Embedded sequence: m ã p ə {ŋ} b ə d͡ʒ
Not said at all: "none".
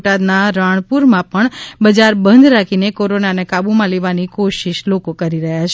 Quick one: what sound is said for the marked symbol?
ɳ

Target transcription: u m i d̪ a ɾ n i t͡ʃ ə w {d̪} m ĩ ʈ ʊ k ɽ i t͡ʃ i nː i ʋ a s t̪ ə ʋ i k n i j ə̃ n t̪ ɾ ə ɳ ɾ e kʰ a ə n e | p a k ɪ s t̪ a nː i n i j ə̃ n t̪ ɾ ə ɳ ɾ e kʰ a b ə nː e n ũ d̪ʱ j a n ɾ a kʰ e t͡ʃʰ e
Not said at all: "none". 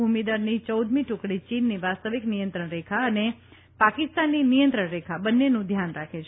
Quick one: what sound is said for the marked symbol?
d̪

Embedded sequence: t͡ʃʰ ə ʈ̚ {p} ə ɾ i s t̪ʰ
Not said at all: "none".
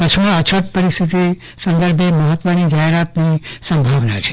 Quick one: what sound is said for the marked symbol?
p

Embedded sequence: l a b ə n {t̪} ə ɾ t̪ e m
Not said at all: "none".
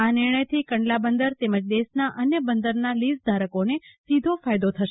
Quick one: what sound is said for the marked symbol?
d̪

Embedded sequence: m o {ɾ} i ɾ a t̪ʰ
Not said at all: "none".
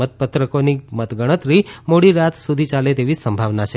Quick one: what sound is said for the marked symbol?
ɽ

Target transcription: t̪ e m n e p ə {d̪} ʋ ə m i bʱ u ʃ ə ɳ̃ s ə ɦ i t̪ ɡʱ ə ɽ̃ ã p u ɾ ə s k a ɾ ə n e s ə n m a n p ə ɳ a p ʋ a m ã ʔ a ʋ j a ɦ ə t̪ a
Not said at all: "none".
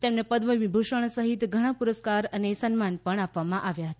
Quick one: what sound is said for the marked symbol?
d̪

